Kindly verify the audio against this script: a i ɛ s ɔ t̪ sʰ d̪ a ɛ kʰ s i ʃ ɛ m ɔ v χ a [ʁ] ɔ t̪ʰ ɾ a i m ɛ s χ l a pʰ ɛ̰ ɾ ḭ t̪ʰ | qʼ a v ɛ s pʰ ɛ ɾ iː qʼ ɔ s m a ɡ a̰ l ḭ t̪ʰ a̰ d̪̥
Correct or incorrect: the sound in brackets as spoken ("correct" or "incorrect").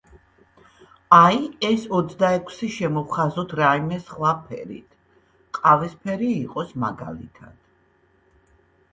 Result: incorrect